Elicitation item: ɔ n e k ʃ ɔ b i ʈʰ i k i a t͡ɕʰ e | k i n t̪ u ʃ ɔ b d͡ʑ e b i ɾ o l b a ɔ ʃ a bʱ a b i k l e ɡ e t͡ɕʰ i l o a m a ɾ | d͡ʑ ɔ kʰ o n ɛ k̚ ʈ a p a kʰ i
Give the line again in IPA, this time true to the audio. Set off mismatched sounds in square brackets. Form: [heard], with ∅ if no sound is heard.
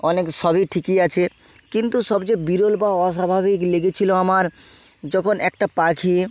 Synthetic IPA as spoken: ɔ n e k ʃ ɔ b i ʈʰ i k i a t͡ɕʰ e | k i n t̪ u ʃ ɔ b d͡ʑ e b i ɾ o l b a ɔ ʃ a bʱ a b i k l e ɡ e t͡ɕʰ i l o a m a ɾ | d͡ʑ ɔ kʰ o n ɛ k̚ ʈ a p a kʰ i